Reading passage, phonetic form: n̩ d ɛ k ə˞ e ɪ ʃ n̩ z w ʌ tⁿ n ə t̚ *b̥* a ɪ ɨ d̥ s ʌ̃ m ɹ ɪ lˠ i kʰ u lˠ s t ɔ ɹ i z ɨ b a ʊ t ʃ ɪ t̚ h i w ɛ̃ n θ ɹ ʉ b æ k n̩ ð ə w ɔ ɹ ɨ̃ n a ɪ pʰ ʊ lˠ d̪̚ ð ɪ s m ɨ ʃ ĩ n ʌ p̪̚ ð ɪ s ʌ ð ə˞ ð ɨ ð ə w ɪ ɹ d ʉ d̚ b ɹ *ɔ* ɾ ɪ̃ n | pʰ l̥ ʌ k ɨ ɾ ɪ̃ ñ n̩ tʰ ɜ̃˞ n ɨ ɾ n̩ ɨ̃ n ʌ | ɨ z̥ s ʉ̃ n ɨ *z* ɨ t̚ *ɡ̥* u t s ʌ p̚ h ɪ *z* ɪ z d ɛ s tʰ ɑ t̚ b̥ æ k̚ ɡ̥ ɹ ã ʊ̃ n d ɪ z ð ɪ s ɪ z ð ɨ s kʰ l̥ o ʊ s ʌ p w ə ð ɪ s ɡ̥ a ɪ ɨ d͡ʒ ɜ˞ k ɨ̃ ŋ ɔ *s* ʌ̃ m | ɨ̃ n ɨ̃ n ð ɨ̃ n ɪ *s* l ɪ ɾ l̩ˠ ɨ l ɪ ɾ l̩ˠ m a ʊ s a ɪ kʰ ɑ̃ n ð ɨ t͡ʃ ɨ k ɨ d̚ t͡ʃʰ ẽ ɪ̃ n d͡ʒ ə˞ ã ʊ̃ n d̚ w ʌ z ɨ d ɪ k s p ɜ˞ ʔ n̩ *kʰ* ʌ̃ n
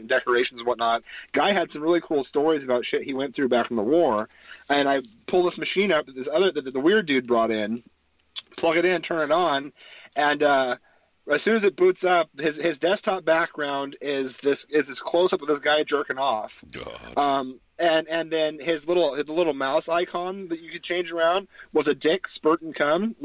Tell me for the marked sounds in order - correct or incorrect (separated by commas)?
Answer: incorrect, correct, correct, incorrect, correct, incorrect, incorrect, correct